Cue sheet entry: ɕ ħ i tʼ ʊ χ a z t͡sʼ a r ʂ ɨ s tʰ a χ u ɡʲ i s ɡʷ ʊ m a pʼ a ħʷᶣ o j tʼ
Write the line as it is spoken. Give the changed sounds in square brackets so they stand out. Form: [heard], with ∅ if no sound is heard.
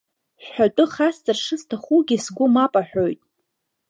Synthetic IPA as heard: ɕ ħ [a] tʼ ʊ χ a [s] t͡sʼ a r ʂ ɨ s tʰ a χ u ɡʲ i s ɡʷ ʊ m a pʼ a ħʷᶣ o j tʼ